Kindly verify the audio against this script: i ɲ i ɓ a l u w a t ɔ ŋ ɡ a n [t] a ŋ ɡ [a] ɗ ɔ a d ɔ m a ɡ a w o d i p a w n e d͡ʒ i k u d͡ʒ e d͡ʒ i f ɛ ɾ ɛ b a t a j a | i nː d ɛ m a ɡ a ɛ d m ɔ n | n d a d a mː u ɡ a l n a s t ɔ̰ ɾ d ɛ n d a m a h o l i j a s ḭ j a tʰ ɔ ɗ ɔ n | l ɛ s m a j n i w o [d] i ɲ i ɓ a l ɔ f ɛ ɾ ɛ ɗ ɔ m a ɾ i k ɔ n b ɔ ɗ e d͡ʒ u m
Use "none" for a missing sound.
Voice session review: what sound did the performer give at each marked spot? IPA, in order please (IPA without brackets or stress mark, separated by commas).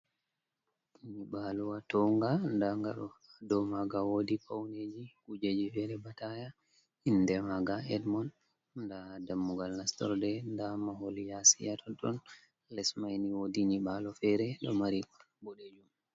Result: d, a, d